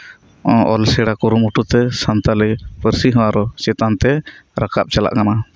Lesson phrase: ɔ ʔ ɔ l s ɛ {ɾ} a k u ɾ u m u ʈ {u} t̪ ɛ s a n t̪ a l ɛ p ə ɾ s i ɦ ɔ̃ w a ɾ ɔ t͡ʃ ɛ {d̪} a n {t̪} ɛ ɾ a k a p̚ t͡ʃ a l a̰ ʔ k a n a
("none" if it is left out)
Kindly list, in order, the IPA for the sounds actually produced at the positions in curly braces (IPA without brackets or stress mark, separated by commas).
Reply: ɽ, u, t̪, t̪